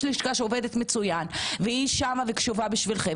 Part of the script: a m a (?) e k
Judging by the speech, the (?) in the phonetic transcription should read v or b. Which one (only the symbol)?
v